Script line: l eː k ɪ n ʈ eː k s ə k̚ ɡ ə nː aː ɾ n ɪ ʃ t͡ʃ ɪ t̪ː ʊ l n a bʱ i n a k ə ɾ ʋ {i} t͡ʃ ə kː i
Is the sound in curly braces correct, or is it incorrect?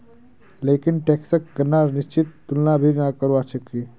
incorrect